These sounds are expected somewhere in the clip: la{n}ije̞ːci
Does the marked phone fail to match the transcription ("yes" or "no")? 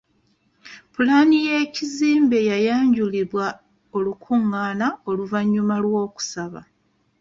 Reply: no